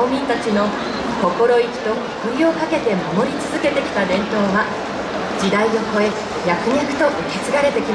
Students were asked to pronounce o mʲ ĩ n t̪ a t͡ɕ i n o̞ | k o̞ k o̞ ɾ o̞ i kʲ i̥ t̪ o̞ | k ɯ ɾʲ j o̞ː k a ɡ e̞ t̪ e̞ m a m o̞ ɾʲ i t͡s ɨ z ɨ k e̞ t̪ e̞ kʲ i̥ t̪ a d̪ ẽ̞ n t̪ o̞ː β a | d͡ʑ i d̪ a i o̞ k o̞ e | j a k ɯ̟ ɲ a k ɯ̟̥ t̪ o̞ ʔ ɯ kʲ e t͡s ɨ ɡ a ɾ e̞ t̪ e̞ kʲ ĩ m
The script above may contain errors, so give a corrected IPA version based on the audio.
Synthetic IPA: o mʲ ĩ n t̪ a t͡ɕ i n o̞ | k o̞ k o̞ ɾ o̞ i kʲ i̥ t̪ o̞ | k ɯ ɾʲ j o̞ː k a k e̞ t̪ e̞ m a m o̞ ɾʲ i t͡s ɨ z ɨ k e̞ t̪ e̞ kʲ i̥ t̪ a d̪ ẽ̞ n t̪ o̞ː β a | d͡ʑ i d̪ a i o̞ k o̞ e | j a k ɯ̟ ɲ a k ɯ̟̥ t̪ o̞ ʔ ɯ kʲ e t͡s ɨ ɡ a ɾ e̞ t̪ e̞ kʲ i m